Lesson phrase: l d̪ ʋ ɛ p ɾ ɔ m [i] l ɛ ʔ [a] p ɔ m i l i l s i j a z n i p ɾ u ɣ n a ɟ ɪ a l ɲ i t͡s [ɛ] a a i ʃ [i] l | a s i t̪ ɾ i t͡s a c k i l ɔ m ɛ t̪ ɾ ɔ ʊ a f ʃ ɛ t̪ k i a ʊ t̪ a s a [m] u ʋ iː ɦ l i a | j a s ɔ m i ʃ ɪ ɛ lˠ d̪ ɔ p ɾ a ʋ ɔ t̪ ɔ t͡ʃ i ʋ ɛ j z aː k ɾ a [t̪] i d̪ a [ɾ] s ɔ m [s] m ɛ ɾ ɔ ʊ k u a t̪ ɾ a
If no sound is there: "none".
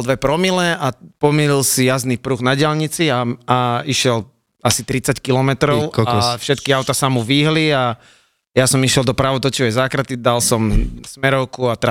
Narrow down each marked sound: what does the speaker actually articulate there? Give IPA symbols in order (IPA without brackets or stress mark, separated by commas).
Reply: i, a, i, ɛ, m, t̪, l, s